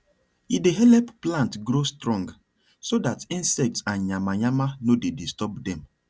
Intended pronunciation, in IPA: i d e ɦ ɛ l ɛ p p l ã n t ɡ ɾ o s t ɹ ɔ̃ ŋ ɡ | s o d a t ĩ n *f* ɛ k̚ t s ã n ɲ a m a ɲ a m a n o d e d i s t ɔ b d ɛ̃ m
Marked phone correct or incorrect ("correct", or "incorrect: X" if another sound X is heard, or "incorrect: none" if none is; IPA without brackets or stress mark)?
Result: incorrect: s